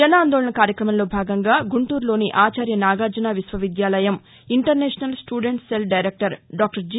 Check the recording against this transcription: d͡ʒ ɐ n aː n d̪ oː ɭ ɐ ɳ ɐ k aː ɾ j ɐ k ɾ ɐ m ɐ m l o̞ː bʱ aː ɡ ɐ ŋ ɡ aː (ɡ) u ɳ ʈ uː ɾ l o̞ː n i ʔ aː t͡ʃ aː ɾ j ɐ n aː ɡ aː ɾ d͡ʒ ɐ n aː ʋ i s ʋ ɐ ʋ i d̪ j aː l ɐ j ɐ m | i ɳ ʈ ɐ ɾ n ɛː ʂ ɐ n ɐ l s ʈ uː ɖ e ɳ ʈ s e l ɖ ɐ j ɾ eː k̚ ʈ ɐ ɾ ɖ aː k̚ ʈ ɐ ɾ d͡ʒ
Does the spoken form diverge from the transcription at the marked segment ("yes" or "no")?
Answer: no